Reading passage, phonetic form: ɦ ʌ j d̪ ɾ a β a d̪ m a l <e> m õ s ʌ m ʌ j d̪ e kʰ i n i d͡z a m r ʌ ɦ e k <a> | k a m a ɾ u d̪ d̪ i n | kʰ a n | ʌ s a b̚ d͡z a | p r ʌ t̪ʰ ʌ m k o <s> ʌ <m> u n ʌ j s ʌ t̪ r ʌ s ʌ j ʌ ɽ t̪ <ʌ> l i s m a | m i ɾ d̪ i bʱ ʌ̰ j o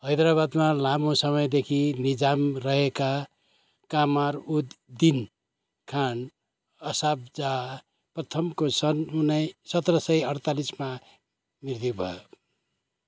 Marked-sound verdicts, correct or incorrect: incorrect: a, correct, correct, incorrect: n, incorrect: a

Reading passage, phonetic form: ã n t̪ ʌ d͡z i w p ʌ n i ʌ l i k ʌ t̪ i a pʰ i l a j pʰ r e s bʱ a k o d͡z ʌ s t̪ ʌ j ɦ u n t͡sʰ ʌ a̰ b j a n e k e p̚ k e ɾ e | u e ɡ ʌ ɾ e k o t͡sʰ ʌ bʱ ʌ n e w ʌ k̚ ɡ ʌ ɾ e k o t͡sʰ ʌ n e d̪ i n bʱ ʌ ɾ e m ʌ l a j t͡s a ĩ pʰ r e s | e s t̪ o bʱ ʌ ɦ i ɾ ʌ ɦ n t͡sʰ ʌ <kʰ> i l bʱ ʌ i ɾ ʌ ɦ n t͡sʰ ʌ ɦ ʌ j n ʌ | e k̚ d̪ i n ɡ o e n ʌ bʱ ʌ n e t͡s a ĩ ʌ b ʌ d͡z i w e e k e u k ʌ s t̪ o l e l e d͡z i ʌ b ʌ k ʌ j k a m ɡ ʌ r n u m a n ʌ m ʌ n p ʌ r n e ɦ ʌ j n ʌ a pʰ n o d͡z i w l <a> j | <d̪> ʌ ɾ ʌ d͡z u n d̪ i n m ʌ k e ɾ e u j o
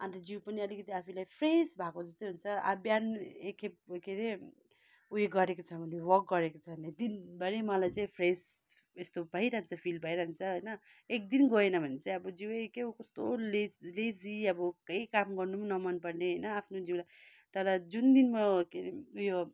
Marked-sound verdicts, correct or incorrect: incorrect: pʰ, correct, incorrect: t̪

